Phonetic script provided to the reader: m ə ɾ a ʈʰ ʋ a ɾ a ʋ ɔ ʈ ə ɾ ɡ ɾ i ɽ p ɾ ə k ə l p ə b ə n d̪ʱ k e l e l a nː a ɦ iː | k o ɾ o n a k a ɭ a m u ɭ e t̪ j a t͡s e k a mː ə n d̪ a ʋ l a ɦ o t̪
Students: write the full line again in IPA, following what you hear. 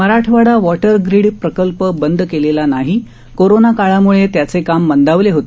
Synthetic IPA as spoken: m ə ɾ a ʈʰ ʋ a ɽ a ʋ ɔ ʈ ə ɾ ɡ ɾ i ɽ p ɾ ə k ə l p ə b ə n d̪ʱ k e l e l a n a ɦ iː | k o ɾ o n a k a ɭ a m u ɭ e t̪ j a t͡s e k a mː ə n d̪ a ʋ l e ɦ o t̪